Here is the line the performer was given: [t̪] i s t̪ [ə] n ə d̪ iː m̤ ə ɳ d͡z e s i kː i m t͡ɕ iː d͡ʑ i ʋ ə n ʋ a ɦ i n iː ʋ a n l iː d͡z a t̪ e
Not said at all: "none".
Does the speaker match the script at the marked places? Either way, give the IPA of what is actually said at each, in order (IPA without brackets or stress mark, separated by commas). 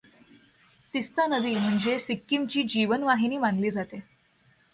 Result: t̪, a